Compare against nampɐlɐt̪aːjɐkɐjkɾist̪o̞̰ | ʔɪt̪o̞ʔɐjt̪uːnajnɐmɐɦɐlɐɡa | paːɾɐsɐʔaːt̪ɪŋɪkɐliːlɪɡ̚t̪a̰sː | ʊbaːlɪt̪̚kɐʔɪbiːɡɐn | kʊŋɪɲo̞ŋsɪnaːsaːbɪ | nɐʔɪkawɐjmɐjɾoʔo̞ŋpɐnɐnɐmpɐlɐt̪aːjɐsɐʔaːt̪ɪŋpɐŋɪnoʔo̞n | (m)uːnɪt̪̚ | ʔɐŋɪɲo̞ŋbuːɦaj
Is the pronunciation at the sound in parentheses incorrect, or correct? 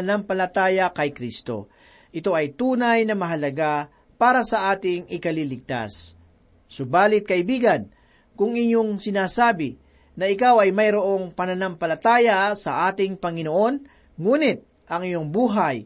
incorrect